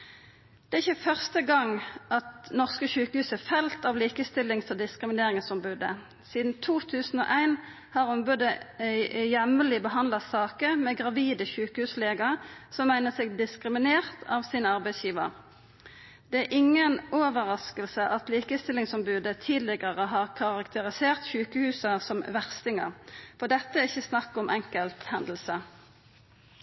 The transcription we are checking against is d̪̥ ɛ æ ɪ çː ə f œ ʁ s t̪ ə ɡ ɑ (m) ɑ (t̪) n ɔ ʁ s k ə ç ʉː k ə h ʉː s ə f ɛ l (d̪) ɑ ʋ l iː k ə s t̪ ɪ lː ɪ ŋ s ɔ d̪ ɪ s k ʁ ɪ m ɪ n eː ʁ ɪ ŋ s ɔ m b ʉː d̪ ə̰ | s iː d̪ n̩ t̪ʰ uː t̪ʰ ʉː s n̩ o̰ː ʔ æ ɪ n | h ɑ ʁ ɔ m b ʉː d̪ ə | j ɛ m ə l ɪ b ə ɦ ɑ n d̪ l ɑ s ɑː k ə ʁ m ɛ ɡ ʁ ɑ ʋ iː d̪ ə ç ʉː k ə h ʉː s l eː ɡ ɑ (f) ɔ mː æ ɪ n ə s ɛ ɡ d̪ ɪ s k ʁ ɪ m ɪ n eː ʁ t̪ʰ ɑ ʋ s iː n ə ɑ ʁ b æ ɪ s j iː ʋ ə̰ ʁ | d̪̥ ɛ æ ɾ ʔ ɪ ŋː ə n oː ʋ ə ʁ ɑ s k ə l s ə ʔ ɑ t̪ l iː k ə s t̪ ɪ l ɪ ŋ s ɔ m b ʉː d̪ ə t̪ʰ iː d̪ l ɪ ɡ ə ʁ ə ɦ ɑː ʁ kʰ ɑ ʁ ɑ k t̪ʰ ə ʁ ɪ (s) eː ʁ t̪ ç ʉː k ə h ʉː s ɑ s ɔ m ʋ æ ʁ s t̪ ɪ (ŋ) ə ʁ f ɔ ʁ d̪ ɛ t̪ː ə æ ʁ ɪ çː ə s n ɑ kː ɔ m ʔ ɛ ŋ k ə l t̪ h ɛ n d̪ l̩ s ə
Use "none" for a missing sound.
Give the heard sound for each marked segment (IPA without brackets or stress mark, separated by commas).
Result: ŋ, t̪, t̪, s, s, ŋ